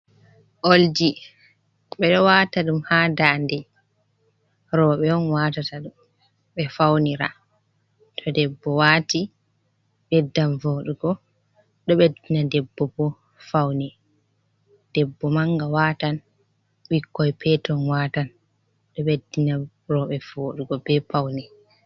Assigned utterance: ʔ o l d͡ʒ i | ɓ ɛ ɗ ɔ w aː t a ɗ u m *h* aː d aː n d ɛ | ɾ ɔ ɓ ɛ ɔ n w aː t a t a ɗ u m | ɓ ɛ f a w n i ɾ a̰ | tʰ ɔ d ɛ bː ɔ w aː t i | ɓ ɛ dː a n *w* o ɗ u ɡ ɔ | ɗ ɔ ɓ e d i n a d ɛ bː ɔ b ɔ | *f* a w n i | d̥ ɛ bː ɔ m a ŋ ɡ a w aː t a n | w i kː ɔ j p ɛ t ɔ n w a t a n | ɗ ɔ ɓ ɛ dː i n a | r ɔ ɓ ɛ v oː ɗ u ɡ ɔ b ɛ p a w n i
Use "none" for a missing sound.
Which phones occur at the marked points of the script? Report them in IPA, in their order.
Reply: h, v, f

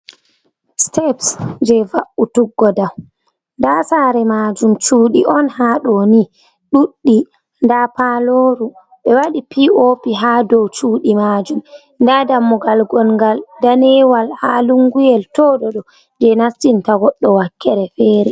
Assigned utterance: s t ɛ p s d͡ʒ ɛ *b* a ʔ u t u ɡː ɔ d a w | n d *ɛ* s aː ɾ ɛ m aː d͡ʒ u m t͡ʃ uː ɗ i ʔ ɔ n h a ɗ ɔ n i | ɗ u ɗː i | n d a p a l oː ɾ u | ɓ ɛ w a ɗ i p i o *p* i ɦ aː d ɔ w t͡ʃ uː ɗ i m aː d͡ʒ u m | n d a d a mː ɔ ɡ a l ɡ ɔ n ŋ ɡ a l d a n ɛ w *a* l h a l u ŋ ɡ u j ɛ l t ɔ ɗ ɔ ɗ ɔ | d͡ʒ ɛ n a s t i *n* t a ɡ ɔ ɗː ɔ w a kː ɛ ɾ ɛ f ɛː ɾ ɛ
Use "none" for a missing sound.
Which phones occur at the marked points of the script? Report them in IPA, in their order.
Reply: v, a, p, a, n

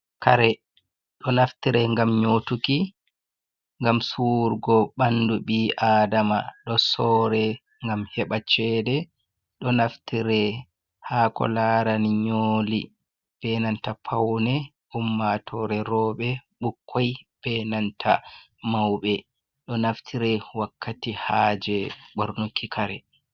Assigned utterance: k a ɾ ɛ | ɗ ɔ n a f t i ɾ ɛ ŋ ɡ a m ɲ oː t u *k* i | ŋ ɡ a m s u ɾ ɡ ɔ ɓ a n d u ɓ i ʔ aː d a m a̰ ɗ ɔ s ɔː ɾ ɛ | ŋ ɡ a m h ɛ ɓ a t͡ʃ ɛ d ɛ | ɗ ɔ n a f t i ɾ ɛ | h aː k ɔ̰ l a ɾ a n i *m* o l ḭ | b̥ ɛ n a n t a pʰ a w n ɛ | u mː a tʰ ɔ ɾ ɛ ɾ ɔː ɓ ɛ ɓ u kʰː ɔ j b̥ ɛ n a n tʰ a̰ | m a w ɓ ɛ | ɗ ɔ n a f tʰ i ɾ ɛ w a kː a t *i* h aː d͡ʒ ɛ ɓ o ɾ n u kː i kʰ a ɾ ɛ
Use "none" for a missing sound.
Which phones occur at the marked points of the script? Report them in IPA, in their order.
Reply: k, ɲ, i

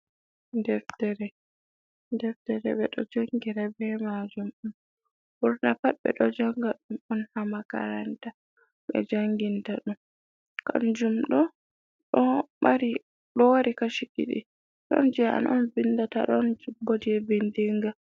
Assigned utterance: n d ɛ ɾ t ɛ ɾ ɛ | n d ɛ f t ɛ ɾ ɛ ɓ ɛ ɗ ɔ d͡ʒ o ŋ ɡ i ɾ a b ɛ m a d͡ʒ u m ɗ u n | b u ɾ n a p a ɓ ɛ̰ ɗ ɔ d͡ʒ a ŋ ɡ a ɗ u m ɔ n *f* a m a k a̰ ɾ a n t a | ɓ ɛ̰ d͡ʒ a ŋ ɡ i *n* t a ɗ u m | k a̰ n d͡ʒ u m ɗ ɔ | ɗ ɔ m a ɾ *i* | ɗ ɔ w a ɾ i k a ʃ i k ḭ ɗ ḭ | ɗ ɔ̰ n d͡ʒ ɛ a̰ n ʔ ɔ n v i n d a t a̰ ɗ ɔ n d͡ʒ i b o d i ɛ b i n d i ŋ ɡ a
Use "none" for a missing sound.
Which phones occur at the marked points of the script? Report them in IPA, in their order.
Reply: h, n, i

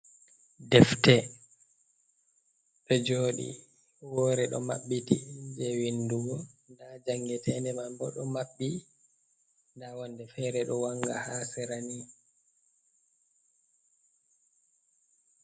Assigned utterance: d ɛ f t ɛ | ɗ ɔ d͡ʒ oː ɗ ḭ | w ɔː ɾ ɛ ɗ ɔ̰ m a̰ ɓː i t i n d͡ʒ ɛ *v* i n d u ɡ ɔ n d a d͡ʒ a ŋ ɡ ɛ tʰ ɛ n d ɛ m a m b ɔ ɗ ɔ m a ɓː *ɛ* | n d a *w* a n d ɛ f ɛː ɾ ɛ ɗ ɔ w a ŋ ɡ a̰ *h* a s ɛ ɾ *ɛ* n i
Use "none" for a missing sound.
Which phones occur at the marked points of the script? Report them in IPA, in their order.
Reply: w, i, w, h, a

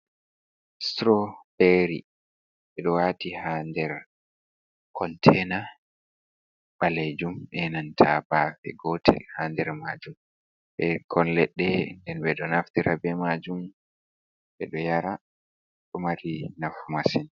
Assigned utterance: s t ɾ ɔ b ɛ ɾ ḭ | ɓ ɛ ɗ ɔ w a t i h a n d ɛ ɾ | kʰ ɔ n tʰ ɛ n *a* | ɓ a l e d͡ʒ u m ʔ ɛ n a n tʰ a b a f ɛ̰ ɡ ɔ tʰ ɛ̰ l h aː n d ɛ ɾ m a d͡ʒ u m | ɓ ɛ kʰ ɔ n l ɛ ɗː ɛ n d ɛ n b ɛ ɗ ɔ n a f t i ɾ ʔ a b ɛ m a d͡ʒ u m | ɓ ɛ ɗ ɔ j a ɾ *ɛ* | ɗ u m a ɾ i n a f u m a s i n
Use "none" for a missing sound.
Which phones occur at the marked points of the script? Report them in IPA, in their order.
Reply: a, a

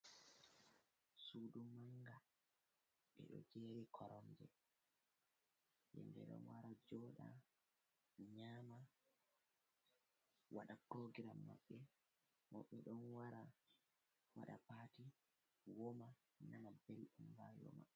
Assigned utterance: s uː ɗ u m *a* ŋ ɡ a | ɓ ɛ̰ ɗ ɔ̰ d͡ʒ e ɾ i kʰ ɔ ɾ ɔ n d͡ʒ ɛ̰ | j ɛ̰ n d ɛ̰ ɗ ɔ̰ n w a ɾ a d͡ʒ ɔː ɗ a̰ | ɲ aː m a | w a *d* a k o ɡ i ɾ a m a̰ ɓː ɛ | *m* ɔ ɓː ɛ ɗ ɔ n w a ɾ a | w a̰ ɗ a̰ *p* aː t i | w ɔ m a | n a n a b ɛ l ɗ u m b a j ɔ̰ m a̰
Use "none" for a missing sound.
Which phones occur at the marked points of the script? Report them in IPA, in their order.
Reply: a, ɗ, m, p

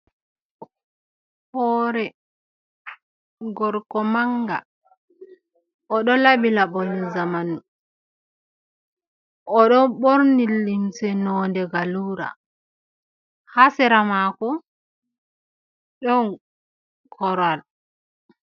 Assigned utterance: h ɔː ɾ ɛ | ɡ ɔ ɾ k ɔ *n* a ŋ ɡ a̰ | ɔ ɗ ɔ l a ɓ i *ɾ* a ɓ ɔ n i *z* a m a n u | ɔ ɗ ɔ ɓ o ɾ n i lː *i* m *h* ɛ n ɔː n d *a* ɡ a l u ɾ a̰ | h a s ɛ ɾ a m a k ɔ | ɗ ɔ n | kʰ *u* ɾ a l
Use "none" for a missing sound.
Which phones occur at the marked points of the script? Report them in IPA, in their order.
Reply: m, l, z, i, s, ɛ, ɔ

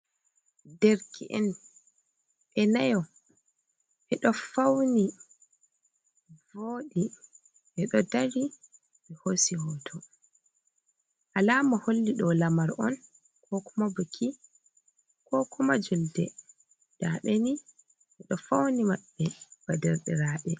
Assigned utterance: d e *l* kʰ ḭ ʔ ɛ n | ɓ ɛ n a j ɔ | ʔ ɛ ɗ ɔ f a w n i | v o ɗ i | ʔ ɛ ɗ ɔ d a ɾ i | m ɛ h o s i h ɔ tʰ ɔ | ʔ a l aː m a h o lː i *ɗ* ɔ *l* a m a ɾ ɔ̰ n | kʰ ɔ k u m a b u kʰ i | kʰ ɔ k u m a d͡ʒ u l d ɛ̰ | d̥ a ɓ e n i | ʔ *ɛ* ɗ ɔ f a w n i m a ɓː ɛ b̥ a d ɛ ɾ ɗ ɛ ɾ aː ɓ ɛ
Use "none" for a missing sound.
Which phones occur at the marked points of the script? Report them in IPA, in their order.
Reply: ɾ, ɗ, l, ɛ

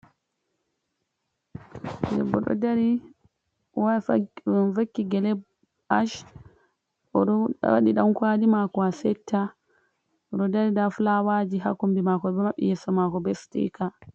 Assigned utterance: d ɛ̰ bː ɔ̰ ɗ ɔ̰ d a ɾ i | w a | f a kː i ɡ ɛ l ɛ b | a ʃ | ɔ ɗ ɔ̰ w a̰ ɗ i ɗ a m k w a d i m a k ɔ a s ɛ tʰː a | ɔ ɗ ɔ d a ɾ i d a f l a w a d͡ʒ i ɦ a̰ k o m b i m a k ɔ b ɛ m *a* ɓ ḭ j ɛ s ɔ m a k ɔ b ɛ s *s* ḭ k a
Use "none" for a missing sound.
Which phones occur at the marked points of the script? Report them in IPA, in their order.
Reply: a, t

